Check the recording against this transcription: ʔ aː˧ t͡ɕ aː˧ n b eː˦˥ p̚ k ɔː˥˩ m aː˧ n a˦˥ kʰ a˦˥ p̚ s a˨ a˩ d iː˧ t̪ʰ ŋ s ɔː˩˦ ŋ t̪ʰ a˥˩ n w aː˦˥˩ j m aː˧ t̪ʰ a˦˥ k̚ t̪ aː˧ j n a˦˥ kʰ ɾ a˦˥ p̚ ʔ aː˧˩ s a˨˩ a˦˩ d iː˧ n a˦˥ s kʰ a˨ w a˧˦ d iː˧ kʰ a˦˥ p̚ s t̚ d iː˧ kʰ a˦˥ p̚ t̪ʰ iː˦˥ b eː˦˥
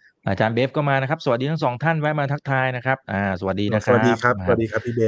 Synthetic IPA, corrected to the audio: ʔ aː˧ t͡ɕ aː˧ n b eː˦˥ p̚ k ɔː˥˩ m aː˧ n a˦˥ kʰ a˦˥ p̚ s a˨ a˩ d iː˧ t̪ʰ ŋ s ɔː˩˦ ŋ t̪ʰ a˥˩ n w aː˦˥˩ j m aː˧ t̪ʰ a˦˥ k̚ t̪ʰ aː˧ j n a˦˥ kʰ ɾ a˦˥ p̚ ʔ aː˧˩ s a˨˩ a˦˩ d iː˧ n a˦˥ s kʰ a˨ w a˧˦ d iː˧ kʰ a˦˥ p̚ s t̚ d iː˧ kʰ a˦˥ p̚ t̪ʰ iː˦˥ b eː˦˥